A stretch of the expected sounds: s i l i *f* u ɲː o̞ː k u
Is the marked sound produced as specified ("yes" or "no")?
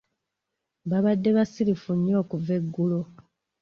yes